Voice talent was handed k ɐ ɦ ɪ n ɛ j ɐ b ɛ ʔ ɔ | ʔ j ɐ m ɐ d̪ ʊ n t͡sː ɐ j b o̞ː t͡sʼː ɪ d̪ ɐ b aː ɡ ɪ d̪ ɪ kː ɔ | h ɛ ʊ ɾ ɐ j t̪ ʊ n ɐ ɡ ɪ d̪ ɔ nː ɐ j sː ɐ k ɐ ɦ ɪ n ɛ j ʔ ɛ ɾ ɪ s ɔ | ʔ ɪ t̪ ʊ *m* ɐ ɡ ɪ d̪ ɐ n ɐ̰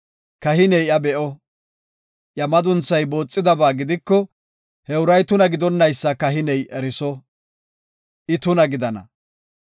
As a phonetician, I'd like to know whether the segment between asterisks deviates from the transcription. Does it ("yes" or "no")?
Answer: yes